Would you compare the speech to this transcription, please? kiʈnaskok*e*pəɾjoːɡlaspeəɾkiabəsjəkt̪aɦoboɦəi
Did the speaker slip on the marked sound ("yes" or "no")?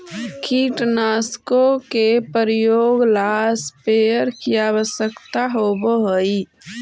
no